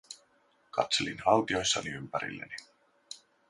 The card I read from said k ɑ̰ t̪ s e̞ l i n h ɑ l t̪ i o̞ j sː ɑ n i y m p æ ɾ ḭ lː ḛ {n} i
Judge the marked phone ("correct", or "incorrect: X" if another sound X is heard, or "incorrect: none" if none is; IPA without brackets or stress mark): correct